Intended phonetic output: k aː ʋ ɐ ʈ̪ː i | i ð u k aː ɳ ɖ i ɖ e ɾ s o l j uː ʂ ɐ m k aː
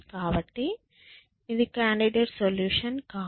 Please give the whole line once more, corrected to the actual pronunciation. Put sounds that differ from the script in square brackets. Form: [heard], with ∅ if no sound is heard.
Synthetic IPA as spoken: k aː ʋ ɐ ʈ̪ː i | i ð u k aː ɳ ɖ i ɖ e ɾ s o l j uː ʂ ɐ [n] k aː